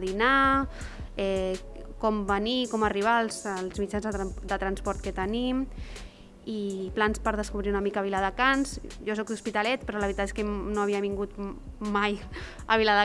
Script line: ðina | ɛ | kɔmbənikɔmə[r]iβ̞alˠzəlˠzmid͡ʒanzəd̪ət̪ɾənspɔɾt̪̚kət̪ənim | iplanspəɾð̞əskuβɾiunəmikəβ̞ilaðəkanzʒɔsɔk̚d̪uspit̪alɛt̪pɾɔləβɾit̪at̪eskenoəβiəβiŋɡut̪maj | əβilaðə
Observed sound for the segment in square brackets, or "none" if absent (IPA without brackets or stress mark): r